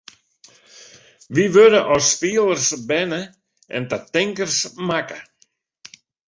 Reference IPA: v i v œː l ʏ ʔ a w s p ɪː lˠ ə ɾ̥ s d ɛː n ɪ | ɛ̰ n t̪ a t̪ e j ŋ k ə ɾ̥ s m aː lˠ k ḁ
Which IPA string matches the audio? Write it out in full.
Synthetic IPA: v i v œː ɾ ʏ ʔ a w s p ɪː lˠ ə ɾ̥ s b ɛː n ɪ | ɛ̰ n t̪ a t̪ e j ŋ k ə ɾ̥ s m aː k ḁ